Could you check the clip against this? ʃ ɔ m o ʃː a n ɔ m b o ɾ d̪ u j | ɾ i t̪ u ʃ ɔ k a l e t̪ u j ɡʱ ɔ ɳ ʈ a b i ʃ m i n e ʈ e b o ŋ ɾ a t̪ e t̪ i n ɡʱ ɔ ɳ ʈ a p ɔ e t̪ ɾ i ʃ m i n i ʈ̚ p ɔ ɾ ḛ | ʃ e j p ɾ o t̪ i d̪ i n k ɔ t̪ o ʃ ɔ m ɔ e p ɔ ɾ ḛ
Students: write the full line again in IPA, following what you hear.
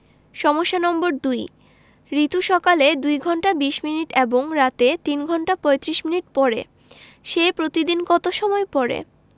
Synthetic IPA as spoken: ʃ ɔ m o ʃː a n ɔ m b o ɾ d̪ u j | ɾ i t̪ u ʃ ɔ k a l e d̪ u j ɡʱ ɔ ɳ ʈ a b i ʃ m i n i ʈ e b o ŋ ɾ a t̪ e t̪ i n ɡʱ ɔ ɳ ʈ a p ɔ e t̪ ɾ i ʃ m i n i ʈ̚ p ɔ ɾ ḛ | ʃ e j p ɾ o t̪ i d̪ i n k ɔ t̪ o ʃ ɔ m ɔ e p ɔ ɾ ḛ